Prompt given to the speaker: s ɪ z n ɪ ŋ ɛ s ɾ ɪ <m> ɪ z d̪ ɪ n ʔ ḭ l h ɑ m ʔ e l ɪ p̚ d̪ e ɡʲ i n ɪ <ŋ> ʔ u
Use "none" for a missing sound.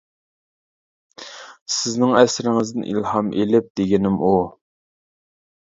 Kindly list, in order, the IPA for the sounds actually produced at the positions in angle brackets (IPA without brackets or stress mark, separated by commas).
ŋ, m